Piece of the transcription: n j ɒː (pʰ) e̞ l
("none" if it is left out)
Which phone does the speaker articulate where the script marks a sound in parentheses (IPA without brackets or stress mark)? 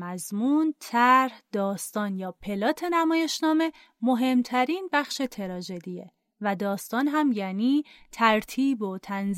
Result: pʰ